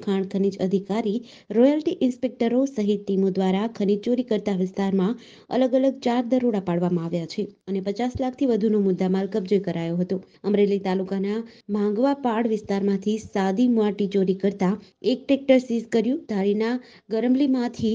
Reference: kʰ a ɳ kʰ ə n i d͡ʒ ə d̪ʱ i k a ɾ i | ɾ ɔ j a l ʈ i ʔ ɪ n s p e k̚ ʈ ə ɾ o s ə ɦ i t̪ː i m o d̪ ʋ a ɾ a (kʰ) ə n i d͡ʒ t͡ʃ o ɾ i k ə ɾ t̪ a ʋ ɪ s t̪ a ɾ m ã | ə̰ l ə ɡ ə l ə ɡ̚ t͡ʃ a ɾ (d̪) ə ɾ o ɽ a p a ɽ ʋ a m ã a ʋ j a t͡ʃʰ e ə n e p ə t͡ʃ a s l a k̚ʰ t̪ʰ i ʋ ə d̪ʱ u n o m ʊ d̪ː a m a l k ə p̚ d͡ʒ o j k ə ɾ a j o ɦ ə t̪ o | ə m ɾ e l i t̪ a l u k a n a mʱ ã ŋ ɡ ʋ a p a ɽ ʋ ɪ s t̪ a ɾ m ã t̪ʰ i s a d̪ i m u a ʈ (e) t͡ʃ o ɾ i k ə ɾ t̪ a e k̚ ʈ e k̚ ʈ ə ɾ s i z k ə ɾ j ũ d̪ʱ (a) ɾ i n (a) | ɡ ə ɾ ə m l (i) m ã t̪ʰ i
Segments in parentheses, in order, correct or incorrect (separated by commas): correct, correct, incorrect, correct, correct, correct